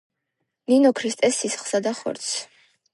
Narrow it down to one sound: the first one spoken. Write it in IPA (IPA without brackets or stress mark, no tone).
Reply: n